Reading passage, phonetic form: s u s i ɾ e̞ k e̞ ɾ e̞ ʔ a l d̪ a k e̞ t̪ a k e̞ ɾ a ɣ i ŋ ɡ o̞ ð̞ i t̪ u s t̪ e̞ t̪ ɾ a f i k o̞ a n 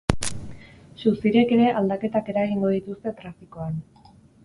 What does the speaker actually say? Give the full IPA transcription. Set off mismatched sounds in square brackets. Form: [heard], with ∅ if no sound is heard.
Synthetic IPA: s u s i ɾ e̞ k e̞ ɾ e̞ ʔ a l d̪ a k e̞ t̪ a k e̞ ɾ a ɣ i ŋ ɡ o̞ ð̞ i t̪ u s t̪ e̞ t̪ ɾ a f i k o̞ a n